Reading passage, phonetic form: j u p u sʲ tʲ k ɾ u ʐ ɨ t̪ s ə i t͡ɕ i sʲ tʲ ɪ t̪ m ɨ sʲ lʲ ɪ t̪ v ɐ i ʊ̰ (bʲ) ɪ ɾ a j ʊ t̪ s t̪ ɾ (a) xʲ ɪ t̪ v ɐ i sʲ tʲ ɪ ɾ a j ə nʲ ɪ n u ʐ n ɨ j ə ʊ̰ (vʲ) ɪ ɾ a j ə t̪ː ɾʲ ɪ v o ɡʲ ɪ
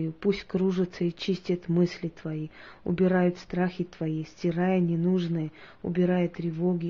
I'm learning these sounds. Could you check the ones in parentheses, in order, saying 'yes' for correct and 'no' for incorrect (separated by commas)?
yes, yes, no